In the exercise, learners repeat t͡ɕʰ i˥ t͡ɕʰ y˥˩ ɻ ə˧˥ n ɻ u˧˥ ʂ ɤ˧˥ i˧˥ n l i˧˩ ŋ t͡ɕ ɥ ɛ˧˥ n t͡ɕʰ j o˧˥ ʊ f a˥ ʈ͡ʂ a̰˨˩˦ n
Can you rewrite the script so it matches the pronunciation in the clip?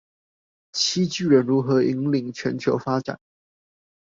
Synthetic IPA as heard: t͡ɕʰ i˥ t͡ɕ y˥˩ ɻ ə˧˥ n ɻ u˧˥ x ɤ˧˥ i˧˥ ŋ l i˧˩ ŋ t͡ɕʰ ɥ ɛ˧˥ n t͡ɕʰ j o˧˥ ʊ f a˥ ʈ͡ʂ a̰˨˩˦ n